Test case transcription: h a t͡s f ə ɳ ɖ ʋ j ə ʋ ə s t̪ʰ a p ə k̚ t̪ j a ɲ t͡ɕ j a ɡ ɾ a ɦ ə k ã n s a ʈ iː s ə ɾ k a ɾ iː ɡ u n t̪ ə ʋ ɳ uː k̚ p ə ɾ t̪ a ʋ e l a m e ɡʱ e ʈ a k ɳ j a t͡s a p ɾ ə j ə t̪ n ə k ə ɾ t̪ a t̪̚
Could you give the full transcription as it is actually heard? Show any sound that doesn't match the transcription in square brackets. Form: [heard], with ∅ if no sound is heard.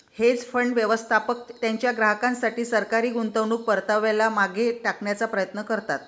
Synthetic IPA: h [e] t͡s f ə ɳ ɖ ʋ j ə ʋ ə s t̪ʰ a p ə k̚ t̪ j a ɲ t͡ɕ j a ɡ ɾ a ɦ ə k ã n s a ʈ iː s ə ɾ k a ɾ iː ɡ u n t̪ ə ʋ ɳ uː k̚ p ə ɾ t̪ a ʋ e l a m [a] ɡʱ e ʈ a k ɳ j a t͡s a p ɾ ə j ə t̪ n ə k ə ɾ t̪ a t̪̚